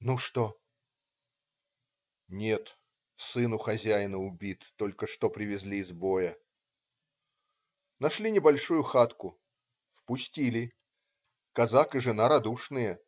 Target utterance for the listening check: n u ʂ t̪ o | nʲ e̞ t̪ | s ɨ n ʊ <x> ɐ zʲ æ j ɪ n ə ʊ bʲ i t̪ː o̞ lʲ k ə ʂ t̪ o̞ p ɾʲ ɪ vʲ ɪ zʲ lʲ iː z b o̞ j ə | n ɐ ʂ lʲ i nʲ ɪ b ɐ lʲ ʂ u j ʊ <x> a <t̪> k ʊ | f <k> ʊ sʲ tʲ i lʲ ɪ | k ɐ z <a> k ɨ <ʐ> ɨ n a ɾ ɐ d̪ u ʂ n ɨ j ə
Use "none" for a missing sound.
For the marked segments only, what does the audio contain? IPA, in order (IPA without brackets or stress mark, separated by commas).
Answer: x, x, t̪, p, a, ʐ